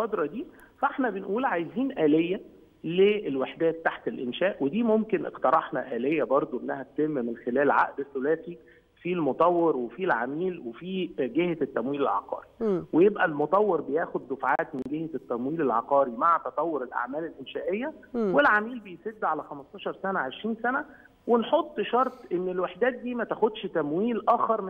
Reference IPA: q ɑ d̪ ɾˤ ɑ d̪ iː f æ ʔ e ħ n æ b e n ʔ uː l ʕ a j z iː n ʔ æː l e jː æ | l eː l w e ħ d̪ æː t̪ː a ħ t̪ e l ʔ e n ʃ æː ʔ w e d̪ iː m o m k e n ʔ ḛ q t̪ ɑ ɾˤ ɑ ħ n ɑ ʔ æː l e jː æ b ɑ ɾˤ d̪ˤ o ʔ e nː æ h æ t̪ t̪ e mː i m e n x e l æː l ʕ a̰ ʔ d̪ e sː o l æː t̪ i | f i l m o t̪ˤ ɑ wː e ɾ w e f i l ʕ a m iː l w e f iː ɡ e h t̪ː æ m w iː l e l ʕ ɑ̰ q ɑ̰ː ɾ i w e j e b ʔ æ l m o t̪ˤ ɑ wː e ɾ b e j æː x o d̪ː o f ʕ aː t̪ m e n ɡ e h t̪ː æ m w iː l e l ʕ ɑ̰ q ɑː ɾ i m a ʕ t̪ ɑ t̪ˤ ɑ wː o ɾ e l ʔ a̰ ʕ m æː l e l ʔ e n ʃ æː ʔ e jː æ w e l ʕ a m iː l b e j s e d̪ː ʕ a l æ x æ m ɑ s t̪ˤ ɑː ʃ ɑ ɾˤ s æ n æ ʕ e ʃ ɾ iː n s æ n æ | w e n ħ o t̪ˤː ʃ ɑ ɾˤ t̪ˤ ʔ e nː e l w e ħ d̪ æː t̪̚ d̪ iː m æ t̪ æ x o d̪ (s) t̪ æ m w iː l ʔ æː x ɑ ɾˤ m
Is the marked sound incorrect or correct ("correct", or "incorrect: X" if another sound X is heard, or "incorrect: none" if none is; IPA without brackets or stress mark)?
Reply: incorrect: ʃ